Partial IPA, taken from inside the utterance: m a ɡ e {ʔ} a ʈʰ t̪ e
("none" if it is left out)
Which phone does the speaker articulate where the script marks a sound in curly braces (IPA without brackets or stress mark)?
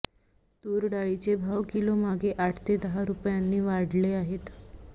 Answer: ʔ